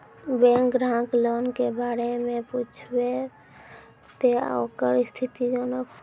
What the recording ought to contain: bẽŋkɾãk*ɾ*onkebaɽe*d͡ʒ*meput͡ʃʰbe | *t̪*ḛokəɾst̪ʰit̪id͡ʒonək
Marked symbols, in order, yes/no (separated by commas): no, no, yes